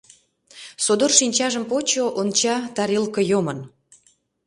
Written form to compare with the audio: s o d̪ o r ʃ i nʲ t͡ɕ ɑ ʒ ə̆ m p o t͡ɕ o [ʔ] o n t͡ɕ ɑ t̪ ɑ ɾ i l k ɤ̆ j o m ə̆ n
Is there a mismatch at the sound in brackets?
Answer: no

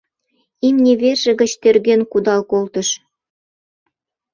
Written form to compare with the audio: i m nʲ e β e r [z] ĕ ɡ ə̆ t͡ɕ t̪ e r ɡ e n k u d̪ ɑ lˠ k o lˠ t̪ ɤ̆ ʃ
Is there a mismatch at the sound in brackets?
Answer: yes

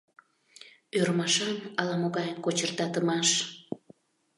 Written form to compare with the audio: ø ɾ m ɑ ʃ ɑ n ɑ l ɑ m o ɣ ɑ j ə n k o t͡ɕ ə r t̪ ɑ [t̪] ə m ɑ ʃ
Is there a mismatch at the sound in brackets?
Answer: no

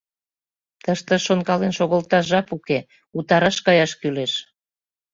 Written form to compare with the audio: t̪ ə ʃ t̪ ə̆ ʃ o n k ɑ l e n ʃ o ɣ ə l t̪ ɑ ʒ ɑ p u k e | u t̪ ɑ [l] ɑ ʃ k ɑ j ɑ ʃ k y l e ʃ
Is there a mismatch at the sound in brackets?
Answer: yes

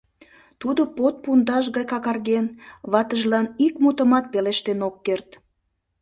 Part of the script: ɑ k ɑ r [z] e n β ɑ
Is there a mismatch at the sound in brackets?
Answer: yes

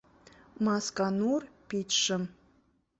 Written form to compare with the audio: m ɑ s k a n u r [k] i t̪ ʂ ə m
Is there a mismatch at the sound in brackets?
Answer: yes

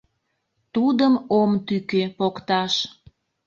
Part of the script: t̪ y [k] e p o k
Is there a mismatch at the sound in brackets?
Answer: no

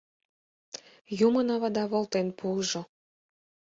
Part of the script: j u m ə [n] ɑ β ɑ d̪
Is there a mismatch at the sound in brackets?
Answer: no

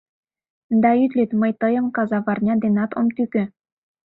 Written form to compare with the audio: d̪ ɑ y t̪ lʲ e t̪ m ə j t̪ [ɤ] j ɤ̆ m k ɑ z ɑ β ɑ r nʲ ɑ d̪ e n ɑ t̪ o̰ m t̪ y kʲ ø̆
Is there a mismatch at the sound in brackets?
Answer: no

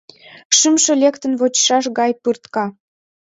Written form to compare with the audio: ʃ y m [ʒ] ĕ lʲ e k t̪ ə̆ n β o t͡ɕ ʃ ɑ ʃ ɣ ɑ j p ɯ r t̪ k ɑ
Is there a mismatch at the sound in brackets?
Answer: yes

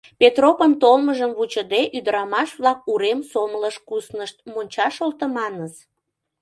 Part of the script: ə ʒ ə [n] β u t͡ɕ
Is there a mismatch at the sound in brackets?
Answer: yes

